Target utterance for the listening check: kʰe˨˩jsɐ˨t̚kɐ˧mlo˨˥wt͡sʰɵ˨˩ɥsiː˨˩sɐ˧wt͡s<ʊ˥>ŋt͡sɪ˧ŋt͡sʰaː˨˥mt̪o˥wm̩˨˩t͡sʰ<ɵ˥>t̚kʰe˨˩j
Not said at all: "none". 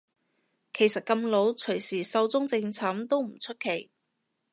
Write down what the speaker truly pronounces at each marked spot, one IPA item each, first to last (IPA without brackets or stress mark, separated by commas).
ʊ˥, ɵ˥